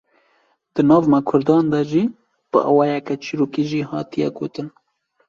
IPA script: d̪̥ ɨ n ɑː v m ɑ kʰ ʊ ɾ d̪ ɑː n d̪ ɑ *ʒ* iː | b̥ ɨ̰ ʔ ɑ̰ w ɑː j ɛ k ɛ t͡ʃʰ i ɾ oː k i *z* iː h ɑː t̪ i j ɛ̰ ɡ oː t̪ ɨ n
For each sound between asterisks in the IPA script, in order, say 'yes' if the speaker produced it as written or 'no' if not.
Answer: yes, no

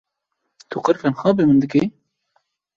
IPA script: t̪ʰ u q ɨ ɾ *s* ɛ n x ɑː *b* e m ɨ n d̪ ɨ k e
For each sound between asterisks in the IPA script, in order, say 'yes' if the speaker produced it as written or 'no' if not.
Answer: no, yes

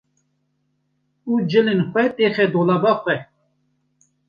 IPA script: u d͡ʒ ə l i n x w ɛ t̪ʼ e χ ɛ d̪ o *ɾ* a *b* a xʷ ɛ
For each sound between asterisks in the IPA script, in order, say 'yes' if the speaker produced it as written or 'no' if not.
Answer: no, yes

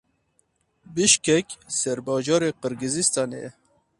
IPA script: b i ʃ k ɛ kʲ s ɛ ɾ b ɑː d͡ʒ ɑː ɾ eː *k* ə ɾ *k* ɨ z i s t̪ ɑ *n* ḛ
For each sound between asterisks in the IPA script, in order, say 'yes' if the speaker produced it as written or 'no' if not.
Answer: no, no, yes

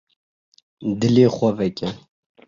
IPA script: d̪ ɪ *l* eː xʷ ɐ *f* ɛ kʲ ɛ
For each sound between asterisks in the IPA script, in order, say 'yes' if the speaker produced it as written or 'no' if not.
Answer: yes, no

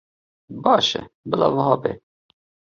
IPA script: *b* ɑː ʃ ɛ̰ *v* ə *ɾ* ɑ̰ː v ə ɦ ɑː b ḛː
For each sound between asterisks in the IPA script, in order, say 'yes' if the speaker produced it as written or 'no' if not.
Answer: yes, no, no

